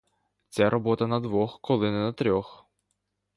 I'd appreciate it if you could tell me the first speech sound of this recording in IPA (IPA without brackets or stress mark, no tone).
t͡sʲ